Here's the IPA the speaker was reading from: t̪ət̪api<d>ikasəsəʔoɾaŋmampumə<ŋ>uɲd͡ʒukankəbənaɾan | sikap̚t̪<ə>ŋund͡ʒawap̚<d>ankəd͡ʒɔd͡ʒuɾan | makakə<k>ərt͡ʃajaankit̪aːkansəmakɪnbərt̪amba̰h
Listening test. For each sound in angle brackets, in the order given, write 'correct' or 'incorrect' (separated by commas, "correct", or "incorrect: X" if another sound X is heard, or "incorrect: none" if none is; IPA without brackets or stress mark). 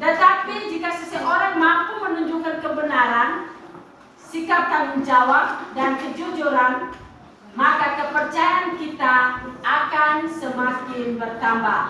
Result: incorrect: d͡ʒ, incorrect: n, incorrect: a, correct, incorrect: p